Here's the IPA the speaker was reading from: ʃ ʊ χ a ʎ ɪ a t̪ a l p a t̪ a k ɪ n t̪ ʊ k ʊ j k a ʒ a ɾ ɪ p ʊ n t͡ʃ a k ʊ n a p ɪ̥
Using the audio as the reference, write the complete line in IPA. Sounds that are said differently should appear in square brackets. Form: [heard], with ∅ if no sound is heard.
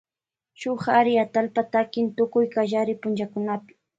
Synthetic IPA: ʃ ʊ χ a [ɾ] ɪ a t̪ a l p a t̪ a k ɪ n t̪ ʊ k ʊ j k a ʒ a ɾ ɪ p ʊ n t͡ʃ a k ʊ n a p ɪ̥